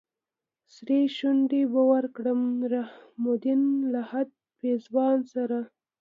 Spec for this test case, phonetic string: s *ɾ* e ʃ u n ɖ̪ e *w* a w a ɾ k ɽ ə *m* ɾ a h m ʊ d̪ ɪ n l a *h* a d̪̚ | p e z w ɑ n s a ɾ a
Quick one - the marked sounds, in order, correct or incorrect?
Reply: correct, incorrect, correct, correct

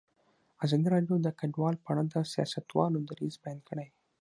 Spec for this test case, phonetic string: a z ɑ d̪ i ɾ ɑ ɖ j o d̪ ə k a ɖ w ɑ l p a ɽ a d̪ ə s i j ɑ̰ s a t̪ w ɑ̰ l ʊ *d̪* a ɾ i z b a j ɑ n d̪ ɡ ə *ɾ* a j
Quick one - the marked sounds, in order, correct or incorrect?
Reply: correct, incorrect

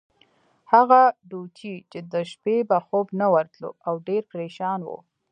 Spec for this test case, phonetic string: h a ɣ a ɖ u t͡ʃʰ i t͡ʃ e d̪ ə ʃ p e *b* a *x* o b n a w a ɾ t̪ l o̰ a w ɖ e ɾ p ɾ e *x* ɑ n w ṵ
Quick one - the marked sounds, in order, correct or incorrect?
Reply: correct, correct, incorrect

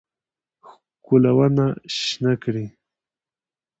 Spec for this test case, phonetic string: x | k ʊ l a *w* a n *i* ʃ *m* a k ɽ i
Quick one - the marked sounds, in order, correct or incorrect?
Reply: correct, incorrect, incorrect

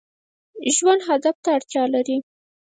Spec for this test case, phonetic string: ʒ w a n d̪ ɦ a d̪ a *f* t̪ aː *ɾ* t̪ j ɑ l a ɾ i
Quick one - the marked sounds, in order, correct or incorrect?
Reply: correct, incorrect

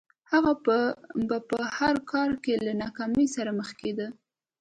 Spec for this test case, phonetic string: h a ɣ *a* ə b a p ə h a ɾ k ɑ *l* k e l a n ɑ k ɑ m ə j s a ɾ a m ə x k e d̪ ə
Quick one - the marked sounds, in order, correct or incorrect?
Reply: correct, incorrect

